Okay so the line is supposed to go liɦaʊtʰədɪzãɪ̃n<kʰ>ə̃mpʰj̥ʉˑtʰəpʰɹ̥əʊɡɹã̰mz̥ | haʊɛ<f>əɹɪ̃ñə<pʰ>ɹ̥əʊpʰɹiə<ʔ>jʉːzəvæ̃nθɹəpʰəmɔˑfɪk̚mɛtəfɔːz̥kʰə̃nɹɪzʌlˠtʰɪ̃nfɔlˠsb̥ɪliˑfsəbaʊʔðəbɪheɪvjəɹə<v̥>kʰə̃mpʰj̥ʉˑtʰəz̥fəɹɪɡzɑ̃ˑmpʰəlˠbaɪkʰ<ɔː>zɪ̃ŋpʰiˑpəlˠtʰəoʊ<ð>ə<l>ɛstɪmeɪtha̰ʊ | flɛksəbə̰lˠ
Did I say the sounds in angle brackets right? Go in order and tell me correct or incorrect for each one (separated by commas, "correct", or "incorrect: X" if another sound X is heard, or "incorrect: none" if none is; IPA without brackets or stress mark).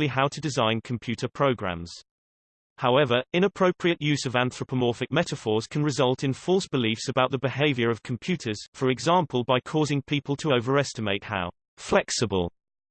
correct, incorrect: v, correct, correct, correct, correct, incorrect: v, incorrect: ɹ